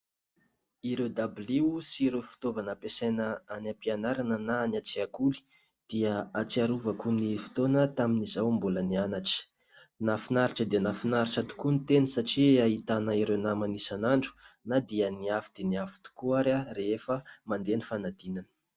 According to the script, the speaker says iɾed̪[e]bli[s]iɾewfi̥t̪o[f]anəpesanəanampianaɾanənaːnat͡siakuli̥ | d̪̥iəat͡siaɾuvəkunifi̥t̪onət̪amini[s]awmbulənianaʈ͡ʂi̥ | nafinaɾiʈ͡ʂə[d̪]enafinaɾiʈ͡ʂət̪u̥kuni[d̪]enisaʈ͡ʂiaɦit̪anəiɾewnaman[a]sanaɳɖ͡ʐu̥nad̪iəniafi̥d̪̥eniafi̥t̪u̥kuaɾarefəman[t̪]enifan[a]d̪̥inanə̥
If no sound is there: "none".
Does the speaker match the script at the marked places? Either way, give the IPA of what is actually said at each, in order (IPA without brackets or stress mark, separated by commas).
a, s, v, z, d̪, t̪, i, d̪, a